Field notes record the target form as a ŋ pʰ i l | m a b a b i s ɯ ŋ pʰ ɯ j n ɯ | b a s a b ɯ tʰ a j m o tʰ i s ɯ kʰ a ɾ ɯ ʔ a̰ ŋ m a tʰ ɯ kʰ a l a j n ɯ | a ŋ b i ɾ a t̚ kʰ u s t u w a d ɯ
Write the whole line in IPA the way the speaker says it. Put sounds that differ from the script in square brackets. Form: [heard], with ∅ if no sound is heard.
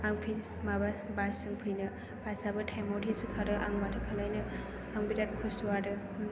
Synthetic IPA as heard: a ŋ pʰ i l | m a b a b [a] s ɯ ŋ pʰ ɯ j n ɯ | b a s a b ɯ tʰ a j m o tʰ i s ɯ kʰ a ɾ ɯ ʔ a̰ ŋ m a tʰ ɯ kʰ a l a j n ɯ | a ŋ b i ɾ a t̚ kʰ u s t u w a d ɯ